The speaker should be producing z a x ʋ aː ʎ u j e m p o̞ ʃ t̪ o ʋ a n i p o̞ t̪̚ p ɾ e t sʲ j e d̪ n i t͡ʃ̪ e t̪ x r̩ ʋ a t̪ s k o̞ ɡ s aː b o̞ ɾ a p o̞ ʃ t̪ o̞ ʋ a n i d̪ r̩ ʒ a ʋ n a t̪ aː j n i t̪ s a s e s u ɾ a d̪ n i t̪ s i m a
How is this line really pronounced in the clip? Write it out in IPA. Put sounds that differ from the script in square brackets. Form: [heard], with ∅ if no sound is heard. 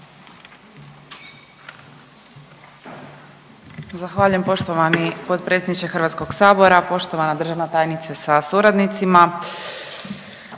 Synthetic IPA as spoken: z a x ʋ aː ʎ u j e m p o̞ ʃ t̪ o ʋ a n i p o̞ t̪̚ p ɾ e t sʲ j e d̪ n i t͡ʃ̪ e [∅] x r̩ ʋ a t̪ s k o̞ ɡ s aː b o̞ ɾ a p o̞ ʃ t̪ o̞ ʋ a n [a] d̪ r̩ ʒ a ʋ n a t̪ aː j n i t̪ s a s [a] s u ɾ a d̪ n i t̪ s i m a